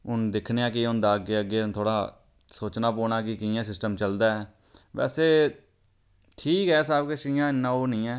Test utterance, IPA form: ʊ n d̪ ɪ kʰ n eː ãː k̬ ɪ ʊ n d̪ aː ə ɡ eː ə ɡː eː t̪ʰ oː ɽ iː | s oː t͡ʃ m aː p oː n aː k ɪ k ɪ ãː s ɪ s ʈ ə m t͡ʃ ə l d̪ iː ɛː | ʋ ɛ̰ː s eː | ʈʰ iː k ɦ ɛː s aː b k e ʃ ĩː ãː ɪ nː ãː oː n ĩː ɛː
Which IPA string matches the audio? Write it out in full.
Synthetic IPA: ʊ n d̪ ɪ kʰ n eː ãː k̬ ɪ ʊ n d̪ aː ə ɡ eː ə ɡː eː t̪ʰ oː ɽ aː | s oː t͡ʃ n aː p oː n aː k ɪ k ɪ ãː s ɪ s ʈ ə m t͡ʃ ə l d̪ aː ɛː | ʋ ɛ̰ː s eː | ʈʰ iː k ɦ ɛː s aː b k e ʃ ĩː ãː ɪ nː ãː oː n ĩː ɛː